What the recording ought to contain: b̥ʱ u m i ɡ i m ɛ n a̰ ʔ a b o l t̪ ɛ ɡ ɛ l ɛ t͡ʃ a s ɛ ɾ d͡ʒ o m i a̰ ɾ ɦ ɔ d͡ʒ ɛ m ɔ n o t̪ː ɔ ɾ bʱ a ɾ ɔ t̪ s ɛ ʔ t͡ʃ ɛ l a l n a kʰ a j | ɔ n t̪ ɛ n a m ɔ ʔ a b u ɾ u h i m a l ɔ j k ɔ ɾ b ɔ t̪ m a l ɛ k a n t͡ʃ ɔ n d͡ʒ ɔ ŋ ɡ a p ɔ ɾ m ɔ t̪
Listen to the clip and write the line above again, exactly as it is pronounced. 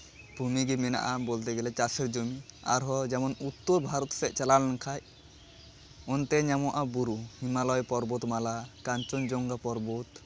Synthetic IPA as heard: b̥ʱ u m i ɡ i m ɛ n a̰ ʔ a b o l t̪ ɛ ɡ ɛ l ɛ t͡ʃ a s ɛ ɾ d͡ʒ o m i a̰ ɾ ɦ ɔ d͡ʒ ɛ m ɔ n u t̪ː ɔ ɾ bʱ a ɾ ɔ t̪ s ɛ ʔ t͡ʃ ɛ l a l n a kʰ a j | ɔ n t̪ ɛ ɲ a m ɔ ʔ a b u ɾ u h i m a l ɔ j p ɔ ɾ b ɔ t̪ m a l a k a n t͡ʃ ɔ n d͡ʒ ɔ ŋ ɡ a p ɔ ɾ b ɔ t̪